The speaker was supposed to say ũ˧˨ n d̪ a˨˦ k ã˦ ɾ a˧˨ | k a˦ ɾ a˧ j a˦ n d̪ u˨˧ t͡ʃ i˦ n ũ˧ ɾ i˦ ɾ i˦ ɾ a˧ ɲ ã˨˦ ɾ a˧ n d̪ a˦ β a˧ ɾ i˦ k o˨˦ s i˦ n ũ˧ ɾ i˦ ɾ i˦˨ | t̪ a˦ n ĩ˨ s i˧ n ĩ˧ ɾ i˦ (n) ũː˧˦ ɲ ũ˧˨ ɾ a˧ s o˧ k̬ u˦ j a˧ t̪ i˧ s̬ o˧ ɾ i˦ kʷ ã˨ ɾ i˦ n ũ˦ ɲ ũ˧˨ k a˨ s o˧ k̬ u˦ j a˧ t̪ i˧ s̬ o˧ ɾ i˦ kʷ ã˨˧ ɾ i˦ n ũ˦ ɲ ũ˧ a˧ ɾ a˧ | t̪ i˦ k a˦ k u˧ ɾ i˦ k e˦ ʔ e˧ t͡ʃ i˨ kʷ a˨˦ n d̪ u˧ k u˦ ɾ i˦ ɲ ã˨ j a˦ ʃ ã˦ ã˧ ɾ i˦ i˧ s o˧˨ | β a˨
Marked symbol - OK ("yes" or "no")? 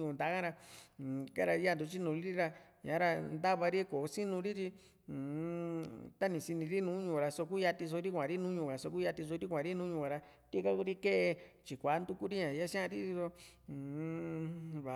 yes